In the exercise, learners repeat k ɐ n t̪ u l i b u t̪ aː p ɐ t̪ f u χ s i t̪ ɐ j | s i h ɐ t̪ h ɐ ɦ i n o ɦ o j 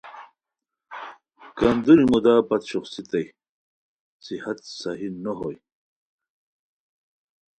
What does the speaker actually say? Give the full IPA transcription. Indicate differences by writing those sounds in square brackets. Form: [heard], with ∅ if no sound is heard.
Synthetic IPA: k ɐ n [d̪] u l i [m] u [d̪] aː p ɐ t̪ [ɕ] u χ s i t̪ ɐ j | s i h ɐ t̪ [s] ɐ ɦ i n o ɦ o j